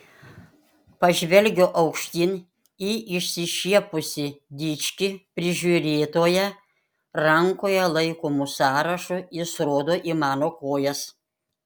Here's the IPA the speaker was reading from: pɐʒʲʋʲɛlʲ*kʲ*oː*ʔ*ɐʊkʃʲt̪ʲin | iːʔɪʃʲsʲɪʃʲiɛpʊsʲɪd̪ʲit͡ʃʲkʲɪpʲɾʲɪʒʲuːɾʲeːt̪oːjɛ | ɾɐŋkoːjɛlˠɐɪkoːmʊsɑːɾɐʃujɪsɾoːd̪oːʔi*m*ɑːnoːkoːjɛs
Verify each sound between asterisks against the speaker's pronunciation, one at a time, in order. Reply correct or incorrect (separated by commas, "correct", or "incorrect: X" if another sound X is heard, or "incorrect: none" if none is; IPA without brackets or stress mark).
incorrect: ɡʲ, correct, correct